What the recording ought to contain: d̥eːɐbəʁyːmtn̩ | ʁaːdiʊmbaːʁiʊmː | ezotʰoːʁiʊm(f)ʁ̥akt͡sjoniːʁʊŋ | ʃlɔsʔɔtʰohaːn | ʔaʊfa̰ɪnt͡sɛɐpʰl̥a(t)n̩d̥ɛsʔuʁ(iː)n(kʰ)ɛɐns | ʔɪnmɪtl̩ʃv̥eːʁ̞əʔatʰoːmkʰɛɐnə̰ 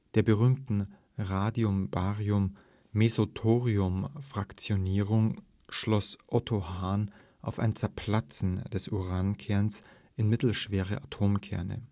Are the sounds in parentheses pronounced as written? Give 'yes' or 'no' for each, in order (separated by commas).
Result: yes, no, no, yes